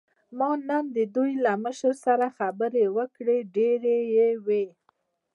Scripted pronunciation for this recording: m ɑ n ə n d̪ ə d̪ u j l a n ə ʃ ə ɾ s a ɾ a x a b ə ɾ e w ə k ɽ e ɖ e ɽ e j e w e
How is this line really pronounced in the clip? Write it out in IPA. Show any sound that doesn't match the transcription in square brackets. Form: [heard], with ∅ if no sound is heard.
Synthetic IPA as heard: m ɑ n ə n d̪ ə d̪ u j l a [m] ə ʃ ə ɾ s a ɾ a x a b ə ɾ e w ə k ɽ e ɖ e [ɾ] e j e w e